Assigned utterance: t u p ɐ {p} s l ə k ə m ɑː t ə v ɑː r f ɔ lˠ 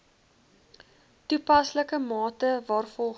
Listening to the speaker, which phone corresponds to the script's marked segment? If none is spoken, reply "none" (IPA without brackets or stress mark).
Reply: none